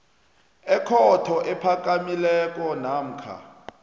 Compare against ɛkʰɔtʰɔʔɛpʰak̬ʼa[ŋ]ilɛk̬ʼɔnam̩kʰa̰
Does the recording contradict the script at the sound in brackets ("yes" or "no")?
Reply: yes